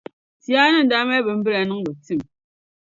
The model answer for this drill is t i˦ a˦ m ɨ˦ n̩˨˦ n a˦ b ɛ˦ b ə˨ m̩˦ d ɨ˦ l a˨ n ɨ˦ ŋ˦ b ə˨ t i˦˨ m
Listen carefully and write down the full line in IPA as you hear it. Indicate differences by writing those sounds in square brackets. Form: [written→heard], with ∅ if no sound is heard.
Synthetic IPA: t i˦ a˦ [m→n] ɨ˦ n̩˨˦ [n→d] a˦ [b→m] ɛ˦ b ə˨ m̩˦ [d→b] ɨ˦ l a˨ n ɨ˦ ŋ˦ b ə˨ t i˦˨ m

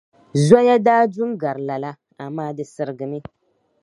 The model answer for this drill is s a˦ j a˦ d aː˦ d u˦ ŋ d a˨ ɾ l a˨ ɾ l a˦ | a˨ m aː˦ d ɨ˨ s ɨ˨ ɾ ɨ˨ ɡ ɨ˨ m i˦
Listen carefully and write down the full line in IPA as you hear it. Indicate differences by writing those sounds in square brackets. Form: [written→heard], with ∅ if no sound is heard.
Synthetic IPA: [s→z] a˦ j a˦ d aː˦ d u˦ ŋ [d→ɡ] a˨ ɾ l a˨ [ɾ→∅] l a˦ | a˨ m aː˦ d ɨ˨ s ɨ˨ ɾ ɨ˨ ɡ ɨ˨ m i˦

